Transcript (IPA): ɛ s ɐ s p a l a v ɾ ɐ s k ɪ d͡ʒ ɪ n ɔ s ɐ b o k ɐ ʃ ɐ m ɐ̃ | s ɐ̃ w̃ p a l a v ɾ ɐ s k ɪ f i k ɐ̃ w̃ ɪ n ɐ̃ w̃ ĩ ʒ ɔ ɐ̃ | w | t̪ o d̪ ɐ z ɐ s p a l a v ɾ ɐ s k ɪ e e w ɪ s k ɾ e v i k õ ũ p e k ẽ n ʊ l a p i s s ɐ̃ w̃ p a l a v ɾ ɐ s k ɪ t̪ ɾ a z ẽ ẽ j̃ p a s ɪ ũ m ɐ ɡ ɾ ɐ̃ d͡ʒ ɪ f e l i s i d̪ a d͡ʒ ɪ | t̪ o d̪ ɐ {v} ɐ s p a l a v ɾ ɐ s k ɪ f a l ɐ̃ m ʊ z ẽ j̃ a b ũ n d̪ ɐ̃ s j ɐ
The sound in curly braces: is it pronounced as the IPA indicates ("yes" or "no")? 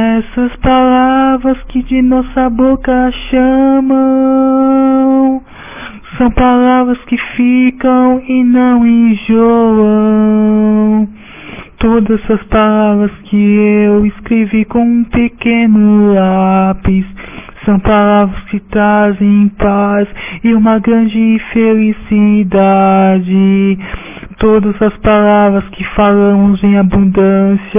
no